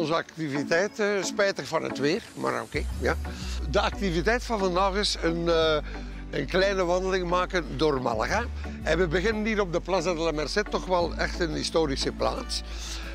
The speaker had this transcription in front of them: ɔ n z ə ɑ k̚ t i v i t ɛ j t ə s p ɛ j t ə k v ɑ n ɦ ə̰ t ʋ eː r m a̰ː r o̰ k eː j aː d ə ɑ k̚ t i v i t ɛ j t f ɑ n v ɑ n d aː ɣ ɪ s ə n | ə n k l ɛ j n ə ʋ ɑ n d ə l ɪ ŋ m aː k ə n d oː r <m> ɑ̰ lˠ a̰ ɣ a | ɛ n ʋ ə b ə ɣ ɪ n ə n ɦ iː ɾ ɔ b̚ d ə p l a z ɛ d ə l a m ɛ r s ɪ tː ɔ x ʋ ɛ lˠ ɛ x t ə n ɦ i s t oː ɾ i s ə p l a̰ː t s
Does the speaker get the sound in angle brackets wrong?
no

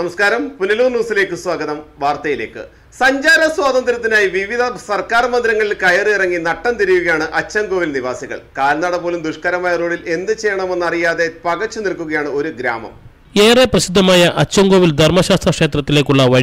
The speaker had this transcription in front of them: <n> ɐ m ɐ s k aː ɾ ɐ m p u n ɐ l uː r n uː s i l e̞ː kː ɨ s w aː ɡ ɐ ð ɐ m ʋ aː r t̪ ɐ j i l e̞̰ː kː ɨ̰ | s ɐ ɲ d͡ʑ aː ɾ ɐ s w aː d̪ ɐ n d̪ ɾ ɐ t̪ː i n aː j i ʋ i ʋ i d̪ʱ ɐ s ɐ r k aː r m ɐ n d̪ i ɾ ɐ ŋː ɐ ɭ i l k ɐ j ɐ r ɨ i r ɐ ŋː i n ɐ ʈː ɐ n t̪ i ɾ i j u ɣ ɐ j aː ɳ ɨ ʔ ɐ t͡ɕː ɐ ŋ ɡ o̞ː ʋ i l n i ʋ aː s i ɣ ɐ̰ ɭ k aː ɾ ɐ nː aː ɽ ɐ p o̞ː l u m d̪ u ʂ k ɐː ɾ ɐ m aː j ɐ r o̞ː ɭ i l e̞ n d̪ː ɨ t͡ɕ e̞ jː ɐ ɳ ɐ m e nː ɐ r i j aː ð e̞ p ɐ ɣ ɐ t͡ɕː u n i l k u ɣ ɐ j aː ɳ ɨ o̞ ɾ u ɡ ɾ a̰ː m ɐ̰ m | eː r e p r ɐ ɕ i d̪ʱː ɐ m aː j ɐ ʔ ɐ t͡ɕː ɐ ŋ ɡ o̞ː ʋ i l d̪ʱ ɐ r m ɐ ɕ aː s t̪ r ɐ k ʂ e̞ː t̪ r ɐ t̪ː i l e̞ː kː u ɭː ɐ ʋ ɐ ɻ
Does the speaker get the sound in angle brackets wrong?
no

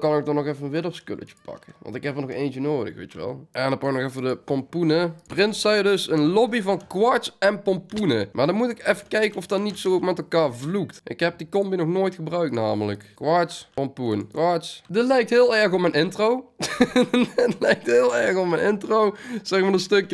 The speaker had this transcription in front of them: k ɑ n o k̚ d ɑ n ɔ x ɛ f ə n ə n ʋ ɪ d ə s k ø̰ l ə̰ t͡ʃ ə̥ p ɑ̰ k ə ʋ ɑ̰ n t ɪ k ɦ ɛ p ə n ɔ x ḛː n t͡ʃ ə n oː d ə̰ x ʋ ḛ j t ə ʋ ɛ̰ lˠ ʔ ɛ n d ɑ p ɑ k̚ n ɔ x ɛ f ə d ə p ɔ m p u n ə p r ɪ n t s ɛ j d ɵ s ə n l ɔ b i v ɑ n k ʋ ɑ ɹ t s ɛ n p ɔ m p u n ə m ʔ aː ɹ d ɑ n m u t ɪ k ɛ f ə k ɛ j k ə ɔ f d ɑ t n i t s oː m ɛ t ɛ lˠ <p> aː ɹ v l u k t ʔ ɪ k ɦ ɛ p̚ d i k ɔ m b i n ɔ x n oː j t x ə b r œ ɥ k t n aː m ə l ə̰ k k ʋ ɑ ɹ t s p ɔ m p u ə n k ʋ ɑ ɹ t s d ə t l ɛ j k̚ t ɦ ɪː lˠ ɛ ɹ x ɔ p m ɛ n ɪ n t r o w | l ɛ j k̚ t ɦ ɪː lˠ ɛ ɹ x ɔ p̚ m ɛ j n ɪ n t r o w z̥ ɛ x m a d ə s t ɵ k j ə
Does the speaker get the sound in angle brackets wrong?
yes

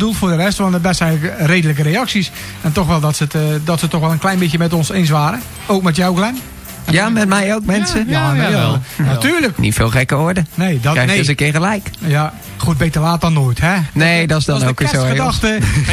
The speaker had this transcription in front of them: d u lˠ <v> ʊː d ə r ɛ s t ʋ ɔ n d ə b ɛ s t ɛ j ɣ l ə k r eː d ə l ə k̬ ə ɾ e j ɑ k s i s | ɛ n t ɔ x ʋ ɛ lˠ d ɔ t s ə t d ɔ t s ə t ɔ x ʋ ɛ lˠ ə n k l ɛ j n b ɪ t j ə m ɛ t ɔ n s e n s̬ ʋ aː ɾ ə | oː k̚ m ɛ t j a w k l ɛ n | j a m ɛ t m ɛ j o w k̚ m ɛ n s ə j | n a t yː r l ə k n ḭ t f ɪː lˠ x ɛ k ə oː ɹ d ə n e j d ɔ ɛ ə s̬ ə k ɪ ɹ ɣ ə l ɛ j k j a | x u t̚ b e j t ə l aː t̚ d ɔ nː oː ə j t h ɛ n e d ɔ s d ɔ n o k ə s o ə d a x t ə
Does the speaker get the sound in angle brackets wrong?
yes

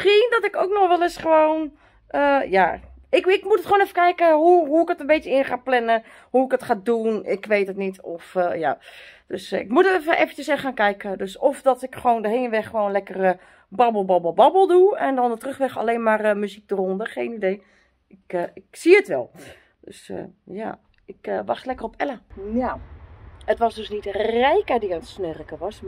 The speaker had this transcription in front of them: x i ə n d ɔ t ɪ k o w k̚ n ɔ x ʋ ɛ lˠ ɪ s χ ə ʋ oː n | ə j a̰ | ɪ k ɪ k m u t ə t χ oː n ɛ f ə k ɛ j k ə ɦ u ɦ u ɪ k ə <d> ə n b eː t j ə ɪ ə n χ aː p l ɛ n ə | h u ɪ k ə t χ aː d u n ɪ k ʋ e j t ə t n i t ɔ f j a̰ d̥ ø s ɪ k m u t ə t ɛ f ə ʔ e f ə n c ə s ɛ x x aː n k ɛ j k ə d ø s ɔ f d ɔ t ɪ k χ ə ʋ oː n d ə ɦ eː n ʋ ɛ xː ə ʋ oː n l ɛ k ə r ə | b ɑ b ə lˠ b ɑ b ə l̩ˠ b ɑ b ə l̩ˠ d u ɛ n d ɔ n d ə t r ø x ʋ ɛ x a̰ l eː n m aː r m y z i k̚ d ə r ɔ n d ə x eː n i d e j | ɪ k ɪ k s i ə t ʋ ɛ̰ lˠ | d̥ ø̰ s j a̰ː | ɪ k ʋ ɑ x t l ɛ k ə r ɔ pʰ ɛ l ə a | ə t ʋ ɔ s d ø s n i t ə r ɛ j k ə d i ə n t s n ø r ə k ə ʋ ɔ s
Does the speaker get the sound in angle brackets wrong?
yes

